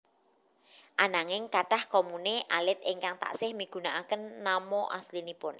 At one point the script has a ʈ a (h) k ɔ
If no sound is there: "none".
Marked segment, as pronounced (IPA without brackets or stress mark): h